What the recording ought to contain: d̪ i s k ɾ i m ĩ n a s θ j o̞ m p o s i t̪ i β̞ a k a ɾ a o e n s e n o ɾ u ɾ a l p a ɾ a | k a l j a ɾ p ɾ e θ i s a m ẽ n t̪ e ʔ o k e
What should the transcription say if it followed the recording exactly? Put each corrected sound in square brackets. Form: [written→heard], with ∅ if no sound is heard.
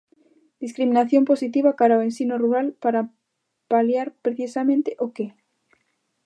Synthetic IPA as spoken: d̪ i s k ɾ i m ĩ n a [s→∅] θ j o̞ m p o s i t̪ i β̞ a k a ɾ a o e n s [e→i] n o [ɾ→r] u ɾ a l p a ɾ a | [k→p] a l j a ɾ p ɾ e θ i s a m ẽ n t̪ e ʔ o k e